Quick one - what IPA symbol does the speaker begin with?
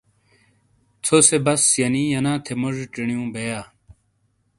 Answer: t͡sʰ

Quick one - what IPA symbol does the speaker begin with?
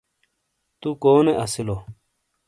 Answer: t̪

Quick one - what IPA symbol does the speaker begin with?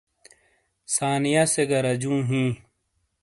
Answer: s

